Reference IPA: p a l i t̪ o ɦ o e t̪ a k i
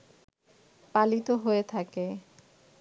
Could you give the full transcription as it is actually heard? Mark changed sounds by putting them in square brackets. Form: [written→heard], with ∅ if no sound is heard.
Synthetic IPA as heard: p a l i t̪ o ɦ o e [t̪→t̪ʰ] a k [i→e]